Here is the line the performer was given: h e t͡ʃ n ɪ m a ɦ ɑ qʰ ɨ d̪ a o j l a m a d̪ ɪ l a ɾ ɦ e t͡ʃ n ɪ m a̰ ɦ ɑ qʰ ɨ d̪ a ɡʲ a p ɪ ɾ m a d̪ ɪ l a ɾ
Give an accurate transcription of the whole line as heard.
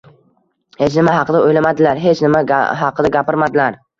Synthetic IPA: h e t͡ʃ n ɪ m a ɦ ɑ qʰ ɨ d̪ a o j l a m a d̪ ɪ l a ɾ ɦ e t͡ʃ n ɪ m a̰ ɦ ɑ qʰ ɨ d̪ a ɡʲ a p ɪ ɾ m a d̪ ɪ l a ɾ